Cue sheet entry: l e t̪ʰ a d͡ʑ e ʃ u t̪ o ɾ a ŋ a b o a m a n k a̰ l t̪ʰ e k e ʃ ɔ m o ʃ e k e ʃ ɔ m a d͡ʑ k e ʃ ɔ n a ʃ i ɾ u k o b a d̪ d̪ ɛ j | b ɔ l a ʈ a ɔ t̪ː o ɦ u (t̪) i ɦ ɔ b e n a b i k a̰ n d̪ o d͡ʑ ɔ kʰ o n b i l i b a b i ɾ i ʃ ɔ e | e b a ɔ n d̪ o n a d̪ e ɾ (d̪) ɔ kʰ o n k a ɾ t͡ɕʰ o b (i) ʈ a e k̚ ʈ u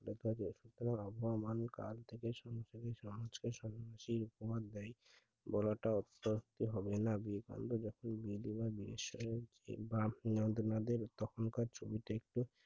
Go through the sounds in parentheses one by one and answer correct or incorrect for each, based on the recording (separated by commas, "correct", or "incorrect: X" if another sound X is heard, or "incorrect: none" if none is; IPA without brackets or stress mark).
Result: correct, incorrect: t̪, correct